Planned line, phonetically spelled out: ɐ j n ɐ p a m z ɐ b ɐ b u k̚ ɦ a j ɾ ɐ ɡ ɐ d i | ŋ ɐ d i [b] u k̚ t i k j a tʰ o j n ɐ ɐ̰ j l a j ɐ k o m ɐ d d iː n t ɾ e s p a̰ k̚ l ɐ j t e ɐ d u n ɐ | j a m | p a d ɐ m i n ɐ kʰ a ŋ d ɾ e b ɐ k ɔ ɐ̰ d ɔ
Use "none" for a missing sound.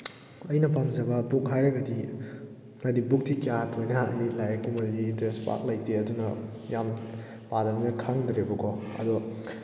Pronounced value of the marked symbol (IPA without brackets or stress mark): b